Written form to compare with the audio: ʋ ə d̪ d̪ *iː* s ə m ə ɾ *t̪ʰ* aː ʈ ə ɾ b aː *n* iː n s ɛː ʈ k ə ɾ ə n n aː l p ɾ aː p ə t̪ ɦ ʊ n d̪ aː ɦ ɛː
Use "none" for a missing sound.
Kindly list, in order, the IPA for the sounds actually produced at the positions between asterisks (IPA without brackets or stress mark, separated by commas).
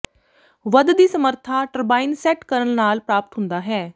iː, t̪ʰ, none